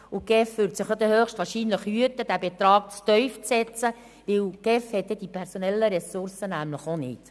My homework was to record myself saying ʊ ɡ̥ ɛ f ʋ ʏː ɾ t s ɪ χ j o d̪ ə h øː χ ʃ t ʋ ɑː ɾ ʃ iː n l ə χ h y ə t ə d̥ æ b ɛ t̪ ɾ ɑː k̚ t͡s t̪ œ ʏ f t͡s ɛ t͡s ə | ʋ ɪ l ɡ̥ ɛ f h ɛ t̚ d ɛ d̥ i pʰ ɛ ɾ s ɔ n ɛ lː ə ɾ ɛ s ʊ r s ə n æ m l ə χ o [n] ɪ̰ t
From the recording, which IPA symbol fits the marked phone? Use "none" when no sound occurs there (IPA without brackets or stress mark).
n